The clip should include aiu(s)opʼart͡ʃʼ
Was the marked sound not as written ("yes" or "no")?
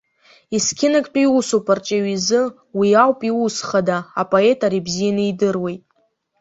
no